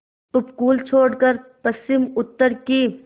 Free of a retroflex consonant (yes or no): no